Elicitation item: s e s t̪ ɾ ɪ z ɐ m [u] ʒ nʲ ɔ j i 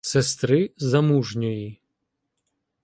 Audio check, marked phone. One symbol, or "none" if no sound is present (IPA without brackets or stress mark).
u